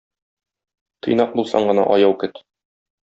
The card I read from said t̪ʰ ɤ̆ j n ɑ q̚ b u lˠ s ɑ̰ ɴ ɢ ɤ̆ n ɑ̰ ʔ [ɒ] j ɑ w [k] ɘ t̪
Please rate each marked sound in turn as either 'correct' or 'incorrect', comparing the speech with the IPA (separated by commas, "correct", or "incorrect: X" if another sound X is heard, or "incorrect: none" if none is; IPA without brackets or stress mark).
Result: correct, correct